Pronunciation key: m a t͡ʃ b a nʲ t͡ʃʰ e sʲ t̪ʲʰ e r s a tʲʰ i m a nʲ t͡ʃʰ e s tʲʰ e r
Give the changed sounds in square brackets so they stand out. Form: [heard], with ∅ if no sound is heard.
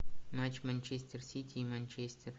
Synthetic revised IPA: m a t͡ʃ [m] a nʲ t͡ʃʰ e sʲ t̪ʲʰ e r s [i] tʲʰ i m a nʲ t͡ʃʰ e s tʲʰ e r